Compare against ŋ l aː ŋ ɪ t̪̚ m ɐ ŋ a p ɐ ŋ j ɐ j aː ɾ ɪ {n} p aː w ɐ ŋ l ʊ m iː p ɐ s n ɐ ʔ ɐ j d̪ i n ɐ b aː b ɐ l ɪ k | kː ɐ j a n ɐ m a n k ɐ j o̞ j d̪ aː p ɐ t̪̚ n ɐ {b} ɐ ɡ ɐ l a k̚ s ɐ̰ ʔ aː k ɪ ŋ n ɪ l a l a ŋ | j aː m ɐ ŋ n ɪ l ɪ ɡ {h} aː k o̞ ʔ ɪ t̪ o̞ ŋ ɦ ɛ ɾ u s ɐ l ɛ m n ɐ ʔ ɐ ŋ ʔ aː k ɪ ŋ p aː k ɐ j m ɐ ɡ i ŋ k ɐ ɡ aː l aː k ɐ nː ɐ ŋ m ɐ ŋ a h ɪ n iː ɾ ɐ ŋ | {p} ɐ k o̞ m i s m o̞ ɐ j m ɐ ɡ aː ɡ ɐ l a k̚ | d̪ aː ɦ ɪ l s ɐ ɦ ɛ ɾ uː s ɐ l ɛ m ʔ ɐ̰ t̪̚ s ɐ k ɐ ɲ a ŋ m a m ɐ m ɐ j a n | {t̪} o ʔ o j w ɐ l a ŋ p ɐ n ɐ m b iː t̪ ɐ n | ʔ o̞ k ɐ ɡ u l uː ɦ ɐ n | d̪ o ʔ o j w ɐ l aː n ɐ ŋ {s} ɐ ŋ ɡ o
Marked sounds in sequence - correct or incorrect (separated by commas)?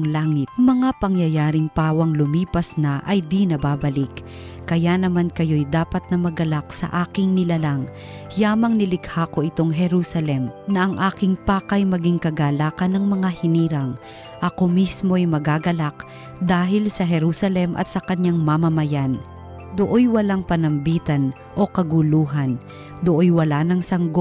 incorrect, incorrect, correct, incorrect, incorrect, correct